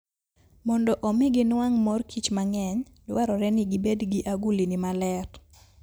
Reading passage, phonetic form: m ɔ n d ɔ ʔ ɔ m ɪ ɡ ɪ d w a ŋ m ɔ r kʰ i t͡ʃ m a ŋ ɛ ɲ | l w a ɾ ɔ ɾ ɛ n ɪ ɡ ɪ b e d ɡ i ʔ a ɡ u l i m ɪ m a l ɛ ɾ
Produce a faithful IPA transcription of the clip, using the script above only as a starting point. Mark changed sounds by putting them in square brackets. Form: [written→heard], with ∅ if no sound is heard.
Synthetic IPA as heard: m ɔ n d ɔ ʔ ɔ m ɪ ɡ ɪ [d→n] w a ŋ m ɔ r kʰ i t͡ʃ m a ŋ ɛ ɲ | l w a ɾ ɔ ɾ ɛ n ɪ ɡ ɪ b e d ɡ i ʔ a ɡ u l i [m→n] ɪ m a l ɛ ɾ